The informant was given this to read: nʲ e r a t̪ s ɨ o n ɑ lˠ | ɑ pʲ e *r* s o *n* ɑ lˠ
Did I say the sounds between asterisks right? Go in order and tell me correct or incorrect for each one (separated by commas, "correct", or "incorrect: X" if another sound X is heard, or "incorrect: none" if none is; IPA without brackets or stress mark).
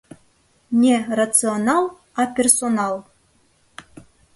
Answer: correct, correct